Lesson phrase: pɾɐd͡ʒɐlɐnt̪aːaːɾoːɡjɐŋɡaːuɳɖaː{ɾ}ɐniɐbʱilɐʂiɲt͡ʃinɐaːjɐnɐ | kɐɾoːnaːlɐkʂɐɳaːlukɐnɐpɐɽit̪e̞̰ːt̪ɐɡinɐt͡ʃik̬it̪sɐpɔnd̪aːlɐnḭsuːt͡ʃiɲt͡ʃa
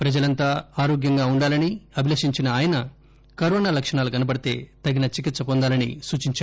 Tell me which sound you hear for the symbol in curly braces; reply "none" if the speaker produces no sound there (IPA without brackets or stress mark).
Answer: l